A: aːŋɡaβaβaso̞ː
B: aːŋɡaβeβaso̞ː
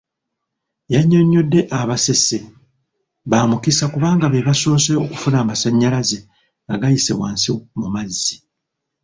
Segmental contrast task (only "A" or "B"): B